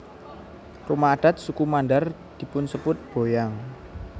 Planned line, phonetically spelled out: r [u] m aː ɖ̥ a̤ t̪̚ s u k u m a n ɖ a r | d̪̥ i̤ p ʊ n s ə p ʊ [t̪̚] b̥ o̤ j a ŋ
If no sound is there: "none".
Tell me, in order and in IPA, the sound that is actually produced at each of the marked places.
u, t̪̚

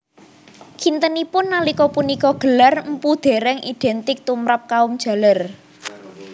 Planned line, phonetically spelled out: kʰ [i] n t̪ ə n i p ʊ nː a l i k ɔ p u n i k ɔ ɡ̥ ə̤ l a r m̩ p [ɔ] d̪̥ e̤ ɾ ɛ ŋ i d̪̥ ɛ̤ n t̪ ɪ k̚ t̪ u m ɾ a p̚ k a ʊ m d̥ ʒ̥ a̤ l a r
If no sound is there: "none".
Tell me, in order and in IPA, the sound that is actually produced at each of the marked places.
i, u

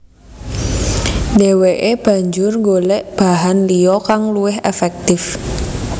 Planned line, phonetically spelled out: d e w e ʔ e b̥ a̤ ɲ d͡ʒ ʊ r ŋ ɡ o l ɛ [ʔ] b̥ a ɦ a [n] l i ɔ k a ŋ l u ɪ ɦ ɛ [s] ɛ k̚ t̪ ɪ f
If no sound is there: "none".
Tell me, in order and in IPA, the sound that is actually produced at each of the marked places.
ʔ, n, f

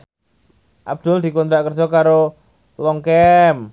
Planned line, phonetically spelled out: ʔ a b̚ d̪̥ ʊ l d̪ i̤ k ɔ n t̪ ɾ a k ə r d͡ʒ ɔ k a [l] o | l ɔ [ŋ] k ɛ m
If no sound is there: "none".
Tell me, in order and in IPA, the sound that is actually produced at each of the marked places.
ɾ, ŋ

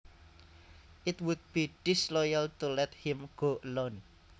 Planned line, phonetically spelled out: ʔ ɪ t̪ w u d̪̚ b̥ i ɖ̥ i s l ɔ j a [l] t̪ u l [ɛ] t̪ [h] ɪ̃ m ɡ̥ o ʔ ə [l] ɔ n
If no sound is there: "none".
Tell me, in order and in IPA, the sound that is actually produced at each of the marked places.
l, ɛ, h, l

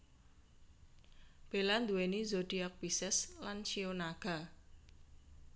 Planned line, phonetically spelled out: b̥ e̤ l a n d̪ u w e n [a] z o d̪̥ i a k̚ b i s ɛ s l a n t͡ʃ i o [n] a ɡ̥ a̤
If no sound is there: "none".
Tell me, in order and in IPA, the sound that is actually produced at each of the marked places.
i, n

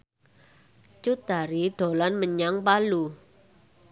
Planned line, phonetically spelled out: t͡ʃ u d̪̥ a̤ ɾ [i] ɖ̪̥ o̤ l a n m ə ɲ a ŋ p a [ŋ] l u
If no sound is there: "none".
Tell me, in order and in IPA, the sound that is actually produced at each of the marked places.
i, none

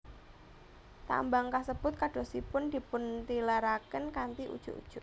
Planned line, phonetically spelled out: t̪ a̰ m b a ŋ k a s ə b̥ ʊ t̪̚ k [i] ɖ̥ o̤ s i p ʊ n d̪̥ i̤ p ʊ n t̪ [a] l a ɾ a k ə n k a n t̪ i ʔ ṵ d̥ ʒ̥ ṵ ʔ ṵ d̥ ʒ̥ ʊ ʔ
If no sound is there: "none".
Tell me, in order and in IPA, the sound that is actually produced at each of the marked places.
a, i

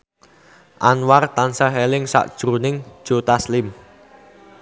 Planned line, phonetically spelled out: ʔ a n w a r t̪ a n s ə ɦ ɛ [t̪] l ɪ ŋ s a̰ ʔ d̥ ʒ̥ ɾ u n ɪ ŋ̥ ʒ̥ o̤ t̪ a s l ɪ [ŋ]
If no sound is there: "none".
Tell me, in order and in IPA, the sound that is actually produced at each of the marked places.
none, m

